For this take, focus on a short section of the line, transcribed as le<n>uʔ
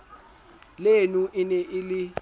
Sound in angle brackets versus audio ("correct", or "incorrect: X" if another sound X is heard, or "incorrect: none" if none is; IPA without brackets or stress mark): correct